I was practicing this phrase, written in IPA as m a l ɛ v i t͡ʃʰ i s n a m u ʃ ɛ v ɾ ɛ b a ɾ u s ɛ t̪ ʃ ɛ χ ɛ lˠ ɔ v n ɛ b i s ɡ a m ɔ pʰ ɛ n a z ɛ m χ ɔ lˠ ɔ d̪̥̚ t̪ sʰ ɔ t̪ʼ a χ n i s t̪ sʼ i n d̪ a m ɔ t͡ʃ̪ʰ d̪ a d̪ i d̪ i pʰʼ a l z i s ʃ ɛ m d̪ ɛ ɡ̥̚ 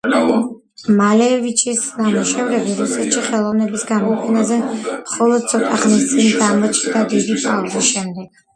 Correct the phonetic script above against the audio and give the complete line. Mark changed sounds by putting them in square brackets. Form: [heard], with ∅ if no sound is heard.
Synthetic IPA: m a l ɛ v i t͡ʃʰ i s n a m u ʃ ɛ v ɾ ɛ b [i] ɾ u s ɛ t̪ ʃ [i] χ ɛ lˠ ɔ v n ɛ b i s ɡ a m ɔ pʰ ɛ n a z ɛ m χ ɔ lˠ ɔ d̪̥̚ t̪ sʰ ɔ t̪ʼ a χ n i s t̪ sʼ i n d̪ a m ɔ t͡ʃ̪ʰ d̪ a d̪ i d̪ i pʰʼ a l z i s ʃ ɛ m d̪ ɛ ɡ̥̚